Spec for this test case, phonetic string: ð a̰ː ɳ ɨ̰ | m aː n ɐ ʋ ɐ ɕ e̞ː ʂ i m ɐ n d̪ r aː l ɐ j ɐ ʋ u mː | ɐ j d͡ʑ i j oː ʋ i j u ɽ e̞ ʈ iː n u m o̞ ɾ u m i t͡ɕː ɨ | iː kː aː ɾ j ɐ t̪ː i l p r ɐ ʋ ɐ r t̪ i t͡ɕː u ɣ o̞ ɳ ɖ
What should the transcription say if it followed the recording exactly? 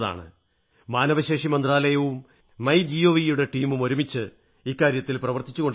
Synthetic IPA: ð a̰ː ɳ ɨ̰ | m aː n ɐ ʋ ɐ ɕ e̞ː ʂ i m ɐ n d̪ r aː l ɐ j ɐ ʋ u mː | ɐ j d͡ʑ i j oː ʋ i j u ɽ e̞ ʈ iː m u m o̞ ɾ u m i t͡ɕː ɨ | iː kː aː ɾ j ɐ t̪ː i l p r ɐ ʋ ɐ r t̪ i t͡ɕː u ɣ o̞ ɳ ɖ